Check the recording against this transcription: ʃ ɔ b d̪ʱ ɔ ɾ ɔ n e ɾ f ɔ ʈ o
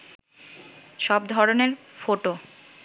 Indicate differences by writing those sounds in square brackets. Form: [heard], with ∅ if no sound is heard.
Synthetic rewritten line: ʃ ɔ b d̪ʱ ɔ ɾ [o] n e ɾ f [o] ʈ o